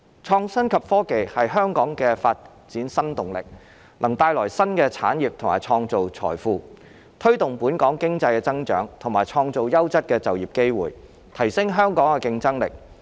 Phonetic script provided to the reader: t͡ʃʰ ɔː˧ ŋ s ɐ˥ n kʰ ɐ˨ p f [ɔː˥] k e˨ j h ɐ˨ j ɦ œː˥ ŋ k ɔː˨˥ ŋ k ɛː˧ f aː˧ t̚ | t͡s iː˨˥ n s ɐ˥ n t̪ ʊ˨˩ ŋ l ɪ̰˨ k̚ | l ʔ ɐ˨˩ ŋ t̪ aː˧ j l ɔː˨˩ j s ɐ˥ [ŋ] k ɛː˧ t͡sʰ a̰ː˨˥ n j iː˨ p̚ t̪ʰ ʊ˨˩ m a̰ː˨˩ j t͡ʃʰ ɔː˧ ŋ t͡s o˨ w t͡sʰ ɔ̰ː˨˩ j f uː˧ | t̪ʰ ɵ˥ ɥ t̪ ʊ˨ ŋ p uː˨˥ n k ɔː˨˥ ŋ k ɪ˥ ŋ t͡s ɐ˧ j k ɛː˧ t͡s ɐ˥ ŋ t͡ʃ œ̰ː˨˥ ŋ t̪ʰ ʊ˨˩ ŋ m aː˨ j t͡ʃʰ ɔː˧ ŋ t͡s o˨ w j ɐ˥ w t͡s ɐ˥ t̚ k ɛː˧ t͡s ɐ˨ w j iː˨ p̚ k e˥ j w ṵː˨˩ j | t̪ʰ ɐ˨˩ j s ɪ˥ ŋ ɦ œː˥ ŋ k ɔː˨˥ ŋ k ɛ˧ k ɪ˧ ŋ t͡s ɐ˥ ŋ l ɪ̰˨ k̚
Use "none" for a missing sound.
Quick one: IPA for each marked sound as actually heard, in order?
ɔː˥, n

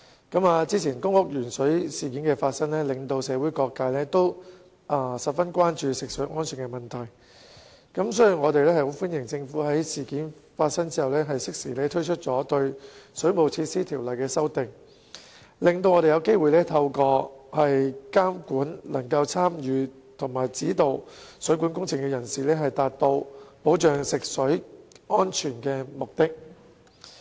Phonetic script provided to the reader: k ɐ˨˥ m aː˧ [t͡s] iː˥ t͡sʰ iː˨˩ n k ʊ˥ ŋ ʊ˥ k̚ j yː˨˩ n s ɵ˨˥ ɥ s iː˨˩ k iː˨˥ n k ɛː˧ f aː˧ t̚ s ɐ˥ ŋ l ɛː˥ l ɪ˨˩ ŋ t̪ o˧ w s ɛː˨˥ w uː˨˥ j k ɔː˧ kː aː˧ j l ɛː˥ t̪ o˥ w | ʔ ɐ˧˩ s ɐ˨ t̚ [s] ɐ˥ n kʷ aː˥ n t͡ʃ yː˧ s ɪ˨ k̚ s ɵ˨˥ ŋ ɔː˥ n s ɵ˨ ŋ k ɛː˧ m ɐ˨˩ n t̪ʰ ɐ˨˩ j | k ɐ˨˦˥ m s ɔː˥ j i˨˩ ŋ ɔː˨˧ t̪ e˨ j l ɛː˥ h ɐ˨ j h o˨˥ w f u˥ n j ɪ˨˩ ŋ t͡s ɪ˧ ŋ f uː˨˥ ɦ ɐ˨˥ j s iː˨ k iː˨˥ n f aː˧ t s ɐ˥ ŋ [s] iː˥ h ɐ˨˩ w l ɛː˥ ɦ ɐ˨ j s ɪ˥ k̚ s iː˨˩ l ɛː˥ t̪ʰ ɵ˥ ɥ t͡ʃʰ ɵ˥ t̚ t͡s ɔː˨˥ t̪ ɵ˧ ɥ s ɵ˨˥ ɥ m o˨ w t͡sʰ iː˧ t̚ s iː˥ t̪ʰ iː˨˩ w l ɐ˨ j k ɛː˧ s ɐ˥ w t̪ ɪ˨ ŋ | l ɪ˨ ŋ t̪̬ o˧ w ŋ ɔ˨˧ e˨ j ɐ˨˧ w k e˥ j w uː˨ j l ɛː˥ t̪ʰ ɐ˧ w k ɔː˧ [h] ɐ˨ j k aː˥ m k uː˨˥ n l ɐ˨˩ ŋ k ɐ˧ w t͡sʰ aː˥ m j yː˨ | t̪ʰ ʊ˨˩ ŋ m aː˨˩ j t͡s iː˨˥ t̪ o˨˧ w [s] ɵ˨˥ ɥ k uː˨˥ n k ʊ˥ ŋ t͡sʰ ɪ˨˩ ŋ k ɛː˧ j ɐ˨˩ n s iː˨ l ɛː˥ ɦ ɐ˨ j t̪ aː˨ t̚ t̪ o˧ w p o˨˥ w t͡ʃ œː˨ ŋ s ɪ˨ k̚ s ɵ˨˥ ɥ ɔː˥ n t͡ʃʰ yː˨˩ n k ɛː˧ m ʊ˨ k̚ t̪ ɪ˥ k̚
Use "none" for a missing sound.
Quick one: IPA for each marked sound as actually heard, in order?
t͡s, f, t͡s, h, s

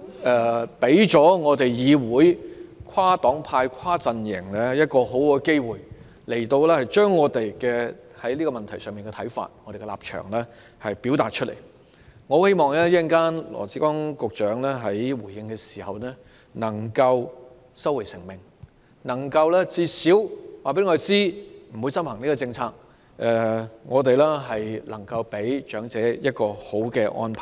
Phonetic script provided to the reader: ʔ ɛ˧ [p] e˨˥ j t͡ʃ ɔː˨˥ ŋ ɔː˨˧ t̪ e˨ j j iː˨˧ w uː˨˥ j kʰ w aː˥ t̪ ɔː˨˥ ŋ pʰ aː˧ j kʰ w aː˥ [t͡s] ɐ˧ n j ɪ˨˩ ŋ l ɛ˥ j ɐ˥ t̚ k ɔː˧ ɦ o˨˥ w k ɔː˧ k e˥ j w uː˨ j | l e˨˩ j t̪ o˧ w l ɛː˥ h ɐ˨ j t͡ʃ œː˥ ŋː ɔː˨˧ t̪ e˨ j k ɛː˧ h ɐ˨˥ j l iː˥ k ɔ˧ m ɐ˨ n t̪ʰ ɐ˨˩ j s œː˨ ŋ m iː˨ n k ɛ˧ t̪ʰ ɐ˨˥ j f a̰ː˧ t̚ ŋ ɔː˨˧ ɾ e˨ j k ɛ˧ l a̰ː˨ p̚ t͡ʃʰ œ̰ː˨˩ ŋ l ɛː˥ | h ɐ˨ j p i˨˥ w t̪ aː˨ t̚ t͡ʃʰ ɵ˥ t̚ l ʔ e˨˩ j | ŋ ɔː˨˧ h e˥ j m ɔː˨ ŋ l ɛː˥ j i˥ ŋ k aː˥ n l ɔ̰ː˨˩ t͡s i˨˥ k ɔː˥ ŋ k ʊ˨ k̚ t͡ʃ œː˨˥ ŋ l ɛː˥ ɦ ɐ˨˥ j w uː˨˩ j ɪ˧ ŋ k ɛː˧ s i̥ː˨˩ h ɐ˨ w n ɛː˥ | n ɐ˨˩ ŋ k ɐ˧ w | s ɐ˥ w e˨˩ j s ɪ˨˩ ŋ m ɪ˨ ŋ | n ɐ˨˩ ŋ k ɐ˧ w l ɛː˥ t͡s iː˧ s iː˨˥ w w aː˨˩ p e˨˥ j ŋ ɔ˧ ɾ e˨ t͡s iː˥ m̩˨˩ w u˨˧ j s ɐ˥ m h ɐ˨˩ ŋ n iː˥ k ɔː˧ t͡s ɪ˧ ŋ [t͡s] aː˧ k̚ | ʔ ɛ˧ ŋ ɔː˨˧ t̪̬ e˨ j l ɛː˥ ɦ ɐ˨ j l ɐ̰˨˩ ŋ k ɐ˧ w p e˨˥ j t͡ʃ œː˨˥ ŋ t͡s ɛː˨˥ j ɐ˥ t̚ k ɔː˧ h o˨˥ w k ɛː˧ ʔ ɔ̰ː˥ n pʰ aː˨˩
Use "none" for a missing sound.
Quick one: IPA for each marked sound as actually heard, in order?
p, t͡s, t͡sʰ

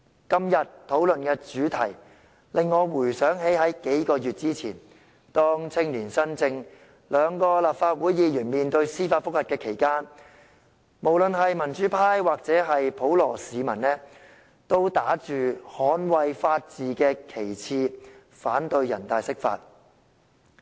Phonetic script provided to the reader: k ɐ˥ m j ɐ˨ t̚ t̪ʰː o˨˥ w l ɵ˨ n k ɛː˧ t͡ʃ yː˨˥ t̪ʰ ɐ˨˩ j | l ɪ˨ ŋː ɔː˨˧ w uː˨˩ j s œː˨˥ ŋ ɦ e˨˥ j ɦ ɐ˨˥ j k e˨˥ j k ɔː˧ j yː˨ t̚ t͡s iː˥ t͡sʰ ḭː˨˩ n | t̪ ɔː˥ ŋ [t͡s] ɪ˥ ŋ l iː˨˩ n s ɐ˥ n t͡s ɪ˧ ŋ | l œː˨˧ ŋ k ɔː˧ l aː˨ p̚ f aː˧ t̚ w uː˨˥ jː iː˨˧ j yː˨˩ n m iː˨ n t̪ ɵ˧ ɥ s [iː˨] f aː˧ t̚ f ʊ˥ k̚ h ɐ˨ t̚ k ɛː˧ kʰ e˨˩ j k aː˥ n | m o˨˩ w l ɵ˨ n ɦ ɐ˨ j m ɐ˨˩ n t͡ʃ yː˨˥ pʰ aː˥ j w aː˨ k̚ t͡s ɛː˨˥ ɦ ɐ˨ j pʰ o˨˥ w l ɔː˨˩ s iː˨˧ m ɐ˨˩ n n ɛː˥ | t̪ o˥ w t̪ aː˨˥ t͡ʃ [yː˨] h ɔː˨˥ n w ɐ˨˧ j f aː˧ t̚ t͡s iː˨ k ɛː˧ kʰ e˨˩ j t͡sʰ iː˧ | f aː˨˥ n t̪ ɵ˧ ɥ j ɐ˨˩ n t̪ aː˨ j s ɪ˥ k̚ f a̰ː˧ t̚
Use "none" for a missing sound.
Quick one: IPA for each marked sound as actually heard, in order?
t͡sʰ, iː˥, yː˨

